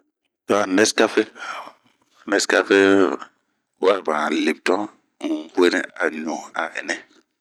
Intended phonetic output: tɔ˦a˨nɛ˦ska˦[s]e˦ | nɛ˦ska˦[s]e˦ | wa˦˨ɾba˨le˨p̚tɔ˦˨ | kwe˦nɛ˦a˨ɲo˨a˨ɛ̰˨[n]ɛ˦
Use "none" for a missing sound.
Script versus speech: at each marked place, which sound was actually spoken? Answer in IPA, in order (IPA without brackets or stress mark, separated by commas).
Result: f, f, n